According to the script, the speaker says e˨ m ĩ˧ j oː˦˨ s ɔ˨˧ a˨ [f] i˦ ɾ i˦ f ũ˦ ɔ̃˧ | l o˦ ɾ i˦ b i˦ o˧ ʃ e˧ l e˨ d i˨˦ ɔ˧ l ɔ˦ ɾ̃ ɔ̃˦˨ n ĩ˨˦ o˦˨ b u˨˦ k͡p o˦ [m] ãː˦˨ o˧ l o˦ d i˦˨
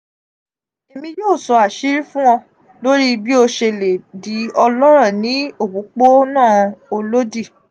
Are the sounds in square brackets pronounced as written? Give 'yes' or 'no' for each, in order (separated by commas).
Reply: no, no